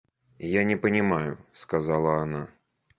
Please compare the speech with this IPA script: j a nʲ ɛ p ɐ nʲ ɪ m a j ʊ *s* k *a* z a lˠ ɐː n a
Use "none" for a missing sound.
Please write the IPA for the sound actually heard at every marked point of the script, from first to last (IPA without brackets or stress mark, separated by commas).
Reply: s, a